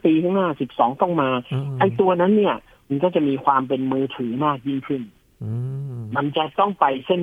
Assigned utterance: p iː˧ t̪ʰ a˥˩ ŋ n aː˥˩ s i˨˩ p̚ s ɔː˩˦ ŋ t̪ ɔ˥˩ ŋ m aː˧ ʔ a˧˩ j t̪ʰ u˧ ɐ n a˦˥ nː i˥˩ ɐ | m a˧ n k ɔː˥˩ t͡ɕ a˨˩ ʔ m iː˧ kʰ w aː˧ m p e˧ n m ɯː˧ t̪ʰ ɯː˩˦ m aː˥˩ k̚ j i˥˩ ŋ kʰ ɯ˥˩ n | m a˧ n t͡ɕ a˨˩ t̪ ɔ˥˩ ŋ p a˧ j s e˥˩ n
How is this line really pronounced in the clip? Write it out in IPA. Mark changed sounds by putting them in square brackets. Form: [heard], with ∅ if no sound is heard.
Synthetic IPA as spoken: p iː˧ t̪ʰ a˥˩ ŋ n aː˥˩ s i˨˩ p̚ s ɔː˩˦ ŋ t̪ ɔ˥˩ ŋ m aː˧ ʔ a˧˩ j [t̪] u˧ ɐ n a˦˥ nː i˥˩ ɐ | m a˧ n k ɔː˥˩ t͡ɕ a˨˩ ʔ m iː˧ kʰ w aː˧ m p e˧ n m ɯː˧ t̪ʰ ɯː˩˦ m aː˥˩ k̚ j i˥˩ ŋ kʰ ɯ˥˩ n | m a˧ n t͡ɕ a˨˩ t̪ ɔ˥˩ ŋ p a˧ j s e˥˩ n